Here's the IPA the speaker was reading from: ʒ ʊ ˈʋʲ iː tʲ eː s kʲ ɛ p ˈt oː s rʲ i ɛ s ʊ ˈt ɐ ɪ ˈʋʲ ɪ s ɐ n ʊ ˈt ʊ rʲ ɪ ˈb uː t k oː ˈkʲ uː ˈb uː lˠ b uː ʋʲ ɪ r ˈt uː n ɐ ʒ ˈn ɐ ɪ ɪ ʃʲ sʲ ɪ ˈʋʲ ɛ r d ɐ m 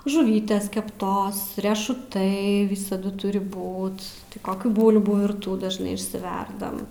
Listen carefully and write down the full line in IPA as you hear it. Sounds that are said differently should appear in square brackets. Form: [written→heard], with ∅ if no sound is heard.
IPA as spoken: ʒ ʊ ˈʋʲ iː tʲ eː s kʲ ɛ p ˈt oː s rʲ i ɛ [s→ʃ] ʊ ˈt ɐ ɪ ˈʋʲ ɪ s ɐ [n→d] ʊ ˈt ʊ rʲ ɪ ˈb uː t k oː ˈkʲ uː ˈb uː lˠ b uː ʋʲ ɪ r ˈt uː [n→d] ɐ ʒ ˈn ɐ ɪ ɪ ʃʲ sʲ ɪ ˈʋʲ ɛ r d ɐ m

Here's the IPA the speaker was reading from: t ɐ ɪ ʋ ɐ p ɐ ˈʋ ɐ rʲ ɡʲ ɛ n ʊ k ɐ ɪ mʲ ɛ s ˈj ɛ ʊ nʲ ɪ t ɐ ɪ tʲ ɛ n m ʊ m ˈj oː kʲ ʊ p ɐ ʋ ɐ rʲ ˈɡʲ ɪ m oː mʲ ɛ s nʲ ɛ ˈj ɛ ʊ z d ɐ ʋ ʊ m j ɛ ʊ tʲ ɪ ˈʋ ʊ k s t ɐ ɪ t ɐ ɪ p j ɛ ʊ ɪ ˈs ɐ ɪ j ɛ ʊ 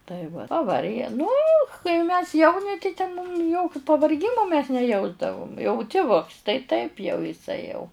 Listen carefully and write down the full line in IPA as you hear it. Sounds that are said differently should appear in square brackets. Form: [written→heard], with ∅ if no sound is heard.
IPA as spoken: t ɐ ɪ ʋ ɐ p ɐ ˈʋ ɐ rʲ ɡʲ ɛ n ʊ k ɐ ɪ mʲ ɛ s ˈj ɛ ʊ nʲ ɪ t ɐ ɪ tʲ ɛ n m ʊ m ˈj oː kʲ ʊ p ɐ ʋ ɐ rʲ ˈɡʲ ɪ m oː mʲ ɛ s nʲ ɛ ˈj ɛ ʊ z d ɐ ʋ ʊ m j ɛ ʊ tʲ ɪ ˈʋ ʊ k s t ɐ ɪ t ɐ ɪ p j ɛ ʊ ɪ ˈs ɐ ɪ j ɛ ʊ

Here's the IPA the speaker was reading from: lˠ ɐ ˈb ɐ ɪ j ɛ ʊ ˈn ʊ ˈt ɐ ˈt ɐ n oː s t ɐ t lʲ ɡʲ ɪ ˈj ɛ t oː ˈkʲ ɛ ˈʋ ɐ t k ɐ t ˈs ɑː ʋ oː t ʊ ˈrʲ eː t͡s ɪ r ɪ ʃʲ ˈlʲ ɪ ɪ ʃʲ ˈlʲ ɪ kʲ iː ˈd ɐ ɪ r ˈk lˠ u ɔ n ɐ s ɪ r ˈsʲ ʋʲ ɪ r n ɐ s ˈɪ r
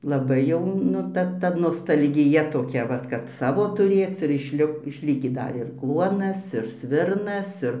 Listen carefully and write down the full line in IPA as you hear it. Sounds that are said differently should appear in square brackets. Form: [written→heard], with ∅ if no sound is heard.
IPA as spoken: lˠ ɐ ˈb ɐ ɪ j ɛ ʊ ˈn ʊ ˈt ɐ ˈt ɐ n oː s t ɐ [t→∅] lʲ ɡʲ ɪ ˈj ɛ t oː ˈkʲ ɛ ˈʋ ɐ t k ɐ t ˈs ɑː ʋ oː t ʊ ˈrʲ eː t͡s ɪ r ɪ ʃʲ ˈlʲ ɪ ɪ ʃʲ ˈlʲ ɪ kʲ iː ˈd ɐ ɪ r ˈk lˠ u ɔ n ɐ s ɪ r ˈsʲ ʋʲ ɪ r n ɐ s ˈɪ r

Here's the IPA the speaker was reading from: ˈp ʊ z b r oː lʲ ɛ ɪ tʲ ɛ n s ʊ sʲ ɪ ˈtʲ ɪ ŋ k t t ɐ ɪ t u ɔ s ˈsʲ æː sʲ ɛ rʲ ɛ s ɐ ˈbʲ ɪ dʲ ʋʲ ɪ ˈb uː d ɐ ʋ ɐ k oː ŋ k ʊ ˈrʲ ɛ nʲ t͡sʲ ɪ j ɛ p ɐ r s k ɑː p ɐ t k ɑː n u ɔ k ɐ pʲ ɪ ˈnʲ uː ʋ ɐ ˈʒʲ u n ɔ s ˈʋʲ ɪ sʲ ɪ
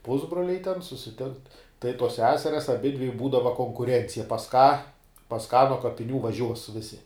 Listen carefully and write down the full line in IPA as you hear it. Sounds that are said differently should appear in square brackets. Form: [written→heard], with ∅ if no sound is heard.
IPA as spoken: ˈp ʊ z b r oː lʲ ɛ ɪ tʲ ɛ n s ʊ sʲ ɪ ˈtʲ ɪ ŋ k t t ɐ ɪ t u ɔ s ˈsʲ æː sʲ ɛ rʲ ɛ s ɐ ˈbʲ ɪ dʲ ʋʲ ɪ ˈb uː d ɐ ʋ ɐ k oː ŋ k ʊ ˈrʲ ɛ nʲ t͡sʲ ɪ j ɛ p ɐ [r→∅] s k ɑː p ɐ [t→s] k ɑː n u ɔ k ɐ pʲ ɪ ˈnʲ uː ʋ ɐ ˈʒʲ u [n→∅] ɔ s ˈʋʲ ɪ sʲ ɪ

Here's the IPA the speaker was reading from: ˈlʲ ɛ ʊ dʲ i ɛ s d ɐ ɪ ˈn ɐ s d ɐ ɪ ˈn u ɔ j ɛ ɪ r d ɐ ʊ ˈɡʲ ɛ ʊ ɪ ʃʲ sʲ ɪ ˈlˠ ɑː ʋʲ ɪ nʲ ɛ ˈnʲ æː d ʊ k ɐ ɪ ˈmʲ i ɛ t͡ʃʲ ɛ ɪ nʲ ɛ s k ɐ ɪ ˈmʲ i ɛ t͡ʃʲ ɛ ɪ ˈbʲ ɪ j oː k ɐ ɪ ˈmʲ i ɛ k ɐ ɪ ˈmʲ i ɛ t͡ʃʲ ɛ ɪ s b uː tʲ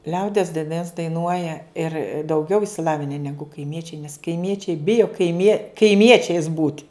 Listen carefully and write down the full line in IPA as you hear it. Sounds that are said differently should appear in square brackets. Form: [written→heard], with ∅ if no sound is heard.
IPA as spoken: ˈlʲ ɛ ʊ dʲ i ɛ s d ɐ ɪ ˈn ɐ s d ɐ ɪ ˈn u ɔ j ɛ ɪ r d ɐ ʊ ˈɡʲ ɛ ʊ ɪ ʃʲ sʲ ɪ ˈlˠ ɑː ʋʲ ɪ nʲ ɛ ˈnʲ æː [d→ɡ] ʊ k ɐ ɪ ˈmʲ i ɛ t͡ʃʲ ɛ ɪ nʲ ɛ s k ɐ ɪ ˈmʲ i ɛ t͡ʃʲ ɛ ɪ ˈbʲ ɪ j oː k ɐ ɪ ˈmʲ i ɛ k ɐ ɪ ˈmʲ i ɛ t͡ʃʲ ɛ ɪ s b uː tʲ

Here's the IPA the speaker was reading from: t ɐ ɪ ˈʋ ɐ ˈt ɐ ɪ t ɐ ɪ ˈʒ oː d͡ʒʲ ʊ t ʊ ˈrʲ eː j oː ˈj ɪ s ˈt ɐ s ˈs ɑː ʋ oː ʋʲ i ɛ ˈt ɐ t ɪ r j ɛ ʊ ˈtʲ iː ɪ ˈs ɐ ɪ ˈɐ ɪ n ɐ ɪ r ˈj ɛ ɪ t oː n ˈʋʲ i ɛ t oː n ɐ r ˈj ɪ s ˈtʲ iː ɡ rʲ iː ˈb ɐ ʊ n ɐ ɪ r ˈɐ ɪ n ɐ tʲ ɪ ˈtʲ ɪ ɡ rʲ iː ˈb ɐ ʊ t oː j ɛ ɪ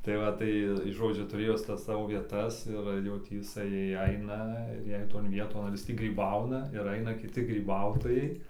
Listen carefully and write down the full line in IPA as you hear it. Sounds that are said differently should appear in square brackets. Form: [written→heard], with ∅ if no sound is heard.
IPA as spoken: t ɐ ɪ ˈʋ ɐ ˈt ɐ ɪ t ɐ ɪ ˈʒ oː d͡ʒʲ ʊ t ʊ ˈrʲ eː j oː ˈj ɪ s ˈt ɐ s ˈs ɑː ʋ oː ʋʲ i ɛ ˈt ɐ [t→s] ɪ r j ɛ ʊ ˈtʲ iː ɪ ˈs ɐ ɪ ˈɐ ɪ n ɐ ɪ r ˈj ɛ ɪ t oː n ˈʋʲ i ɛ t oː n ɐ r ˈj ɪ s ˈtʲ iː ɡ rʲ iː ˈb ɐ ʊ n ɐ ɪ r ˈɐ ɪ n ɐ [tʲ→kʲ] ɪ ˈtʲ ɪ ɡ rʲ iː ˈb ɐ ʊ t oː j ɛ ɪ

